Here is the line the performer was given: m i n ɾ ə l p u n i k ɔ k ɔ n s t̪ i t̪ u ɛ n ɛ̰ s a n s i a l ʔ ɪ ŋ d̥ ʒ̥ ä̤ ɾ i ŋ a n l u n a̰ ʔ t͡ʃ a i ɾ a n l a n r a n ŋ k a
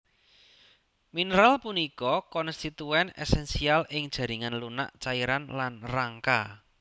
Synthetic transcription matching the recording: m i n ɾ a l p u n i k ɔ k ɔ n s t̪ i t̪ u ɛ n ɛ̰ s ɛ n s i a l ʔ ɪ ŋ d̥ ʒ̥ ä̤ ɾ i ŋ a n l u n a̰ ʔ t͡ʃ a i ɾ a n l a n r a ŋ k a